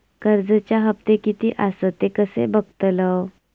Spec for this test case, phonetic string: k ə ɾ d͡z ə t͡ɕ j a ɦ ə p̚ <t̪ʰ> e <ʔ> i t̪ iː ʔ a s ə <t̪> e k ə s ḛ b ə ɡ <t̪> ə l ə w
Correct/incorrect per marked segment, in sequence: incorrect, incorrect, correct, correct

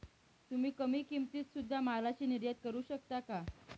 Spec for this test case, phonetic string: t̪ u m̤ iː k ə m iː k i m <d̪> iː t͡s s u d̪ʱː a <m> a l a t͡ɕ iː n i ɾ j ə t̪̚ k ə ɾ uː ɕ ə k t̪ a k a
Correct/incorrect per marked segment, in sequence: incorrect, correct

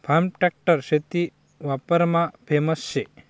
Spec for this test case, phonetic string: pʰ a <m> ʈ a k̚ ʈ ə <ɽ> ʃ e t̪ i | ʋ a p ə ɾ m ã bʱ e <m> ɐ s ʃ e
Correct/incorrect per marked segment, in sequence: correct, incorrect, correct

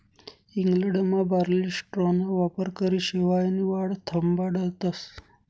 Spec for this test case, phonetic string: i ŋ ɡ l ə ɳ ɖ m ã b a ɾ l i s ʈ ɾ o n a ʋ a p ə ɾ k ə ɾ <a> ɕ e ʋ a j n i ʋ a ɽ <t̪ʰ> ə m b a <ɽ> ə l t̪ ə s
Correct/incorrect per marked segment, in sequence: incorrect, correct, correct

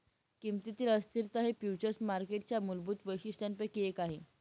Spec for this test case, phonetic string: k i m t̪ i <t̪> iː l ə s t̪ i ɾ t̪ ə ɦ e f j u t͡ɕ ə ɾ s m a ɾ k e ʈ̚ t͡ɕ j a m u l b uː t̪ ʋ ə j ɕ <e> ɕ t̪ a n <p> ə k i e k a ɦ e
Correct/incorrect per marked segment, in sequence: correct, incorrect, correct

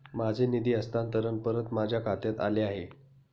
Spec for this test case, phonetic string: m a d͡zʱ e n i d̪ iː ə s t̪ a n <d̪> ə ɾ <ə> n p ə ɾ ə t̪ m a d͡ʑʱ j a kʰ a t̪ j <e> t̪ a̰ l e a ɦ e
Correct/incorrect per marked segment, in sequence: incorrect, correct, incorrect

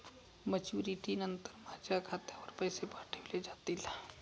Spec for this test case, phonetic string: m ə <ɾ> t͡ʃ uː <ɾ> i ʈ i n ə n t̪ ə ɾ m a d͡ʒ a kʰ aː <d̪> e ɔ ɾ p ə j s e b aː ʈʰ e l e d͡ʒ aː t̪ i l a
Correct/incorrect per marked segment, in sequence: incorrect, correct, incorrect

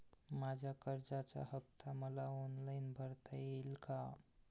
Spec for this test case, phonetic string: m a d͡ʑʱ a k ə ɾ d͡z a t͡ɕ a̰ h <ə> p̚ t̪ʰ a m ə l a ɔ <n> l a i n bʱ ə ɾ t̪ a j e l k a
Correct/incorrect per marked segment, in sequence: correct, correct

